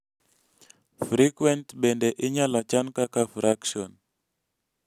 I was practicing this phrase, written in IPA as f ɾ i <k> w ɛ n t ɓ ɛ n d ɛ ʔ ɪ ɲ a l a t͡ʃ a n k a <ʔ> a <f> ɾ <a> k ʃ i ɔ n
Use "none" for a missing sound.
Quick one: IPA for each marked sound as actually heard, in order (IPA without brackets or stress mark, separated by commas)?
k, k, f, a